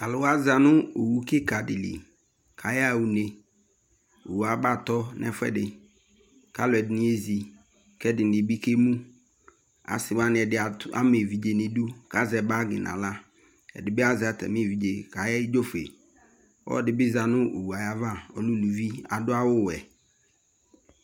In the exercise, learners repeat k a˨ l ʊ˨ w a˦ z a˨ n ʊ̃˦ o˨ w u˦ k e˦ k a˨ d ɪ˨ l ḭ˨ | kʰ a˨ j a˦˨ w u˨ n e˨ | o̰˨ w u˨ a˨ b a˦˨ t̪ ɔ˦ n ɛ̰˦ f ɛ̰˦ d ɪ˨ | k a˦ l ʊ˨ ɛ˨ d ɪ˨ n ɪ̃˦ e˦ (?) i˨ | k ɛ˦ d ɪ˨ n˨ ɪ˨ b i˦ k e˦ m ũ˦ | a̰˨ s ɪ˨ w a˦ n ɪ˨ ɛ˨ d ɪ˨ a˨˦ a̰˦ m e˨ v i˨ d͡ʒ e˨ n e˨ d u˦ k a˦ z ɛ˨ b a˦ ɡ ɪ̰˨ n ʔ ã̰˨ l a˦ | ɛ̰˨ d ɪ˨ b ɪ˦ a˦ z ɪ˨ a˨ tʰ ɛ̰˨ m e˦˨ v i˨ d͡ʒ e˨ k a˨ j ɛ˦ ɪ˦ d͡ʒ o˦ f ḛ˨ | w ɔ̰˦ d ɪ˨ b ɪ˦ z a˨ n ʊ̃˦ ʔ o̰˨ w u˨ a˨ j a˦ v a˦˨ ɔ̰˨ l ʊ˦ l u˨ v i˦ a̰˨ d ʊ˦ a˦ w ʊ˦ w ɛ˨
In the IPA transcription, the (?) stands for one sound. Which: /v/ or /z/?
z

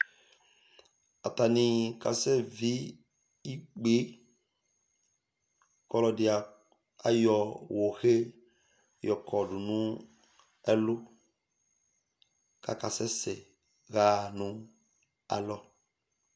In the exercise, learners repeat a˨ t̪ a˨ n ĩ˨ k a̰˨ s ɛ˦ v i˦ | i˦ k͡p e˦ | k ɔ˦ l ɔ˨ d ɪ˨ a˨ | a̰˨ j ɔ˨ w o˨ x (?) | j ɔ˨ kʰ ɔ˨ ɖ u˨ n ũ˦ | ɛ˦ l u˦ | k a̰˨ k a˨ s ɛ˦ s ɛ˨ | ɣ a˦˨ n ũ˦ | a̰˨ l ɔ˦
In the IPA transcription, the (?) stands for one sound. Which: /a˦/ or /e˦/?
e˦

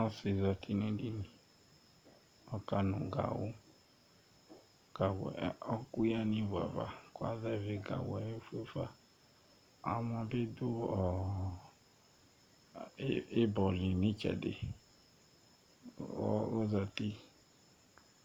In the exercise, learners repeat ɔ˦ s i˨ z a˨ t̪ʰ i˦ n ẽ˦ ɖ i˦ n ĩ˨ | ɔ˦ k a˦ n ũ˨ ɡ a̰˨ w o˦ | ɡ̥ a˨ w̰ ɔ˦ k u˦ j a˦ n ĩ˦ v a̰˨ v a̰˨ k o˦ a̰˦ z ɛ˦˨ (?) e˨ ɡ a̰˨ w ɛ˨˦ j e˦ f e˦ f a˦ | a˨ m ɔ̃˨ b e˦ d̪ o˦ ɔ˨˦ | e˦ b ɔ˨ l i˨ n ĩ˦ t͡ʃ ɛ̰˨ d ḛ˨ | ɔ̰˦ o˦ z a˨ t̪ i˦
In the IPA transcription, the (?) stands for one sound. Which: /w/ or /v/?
v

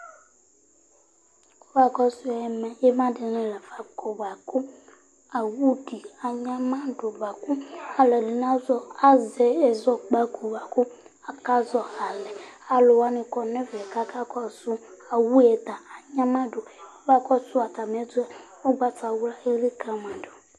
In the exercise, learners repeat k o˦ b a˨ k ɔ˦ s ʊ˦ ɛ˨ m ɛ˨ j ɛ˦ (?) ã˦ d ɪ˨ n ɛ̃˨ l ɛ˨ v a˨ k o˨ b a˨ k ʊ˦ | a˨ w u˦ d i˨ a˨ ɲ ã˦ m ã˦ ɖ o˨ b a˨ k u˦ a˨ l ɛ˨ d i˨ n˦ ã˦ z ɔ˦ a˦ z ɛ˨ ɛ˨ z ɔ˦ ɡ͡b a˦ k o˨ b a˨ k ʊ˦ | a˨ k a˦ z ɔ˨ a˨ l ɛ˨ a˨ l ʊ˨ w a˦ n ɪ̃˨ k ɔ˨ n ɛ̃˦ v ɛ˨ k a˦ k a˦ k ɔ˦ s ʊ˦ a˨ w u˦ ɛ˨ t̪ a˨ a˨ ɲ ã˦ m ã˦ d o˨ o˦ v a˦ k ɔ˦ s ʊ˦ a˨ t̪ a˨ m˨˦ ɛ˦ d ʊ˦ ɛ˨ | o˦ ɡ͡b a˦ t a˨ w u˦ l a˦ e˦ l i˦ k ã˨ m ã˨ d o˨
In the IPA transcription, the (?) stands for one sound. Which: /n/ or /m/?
m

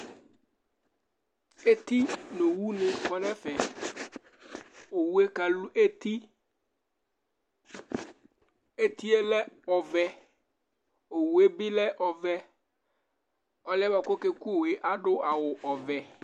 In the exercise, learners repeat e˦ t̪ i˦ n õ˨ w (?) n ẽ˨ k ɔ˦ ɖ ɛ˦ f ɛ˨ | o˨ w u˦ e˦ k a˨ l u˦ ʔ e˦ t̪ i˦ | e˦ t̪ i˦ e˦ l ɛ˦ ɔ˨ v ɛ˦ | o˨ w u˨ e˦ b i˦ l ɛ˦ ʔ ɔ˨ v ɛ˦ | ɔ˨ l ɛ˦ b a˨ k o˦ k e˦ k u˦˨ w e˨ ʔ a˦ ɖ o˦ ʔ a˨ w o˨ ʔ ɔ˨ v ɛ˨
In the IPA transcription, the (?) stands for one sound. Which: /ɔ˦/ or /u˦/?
u˦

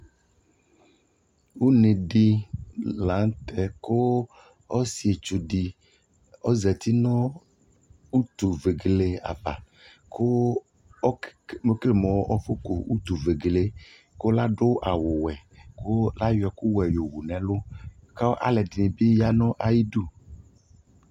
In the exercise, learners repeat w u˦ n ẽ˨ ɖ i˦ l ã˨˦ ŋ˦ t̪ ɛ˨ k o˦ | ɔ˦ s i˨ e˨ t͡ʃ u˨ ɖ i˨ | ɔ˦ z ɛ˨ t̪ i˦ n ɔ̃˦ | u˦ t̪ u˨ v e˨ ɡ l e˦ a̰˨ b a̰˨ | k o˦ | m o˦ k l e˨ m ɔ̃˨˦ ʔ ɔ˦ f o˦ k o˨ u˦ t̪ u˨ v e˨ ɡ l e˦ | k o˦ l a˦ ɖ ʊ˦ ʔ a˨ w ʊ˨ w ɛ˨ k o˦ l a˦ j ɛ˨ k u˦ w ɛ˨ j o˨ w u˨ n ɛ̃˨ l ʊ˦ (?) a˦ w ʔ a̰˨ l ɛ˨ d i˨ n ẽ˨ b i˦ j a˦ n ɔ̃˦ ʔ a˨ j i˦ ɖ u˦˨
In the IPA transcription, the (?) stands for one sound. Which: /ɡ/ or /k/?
k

